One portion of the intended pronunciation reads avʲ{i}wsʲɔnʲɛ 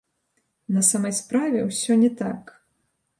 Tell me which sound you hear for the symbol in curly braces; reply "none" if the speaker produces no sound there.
ɛ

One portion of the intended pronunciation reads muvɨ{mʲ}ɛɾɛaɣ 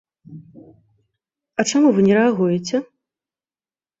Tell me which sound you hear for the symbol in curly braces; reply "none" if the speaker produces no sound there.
nʲ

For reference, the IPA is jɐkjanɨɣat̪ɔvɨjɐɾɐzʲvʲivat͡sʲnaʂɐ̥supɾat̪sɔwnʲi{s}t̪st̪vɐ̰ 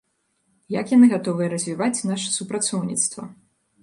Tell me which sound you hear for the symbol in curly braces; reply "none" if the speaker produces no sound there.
none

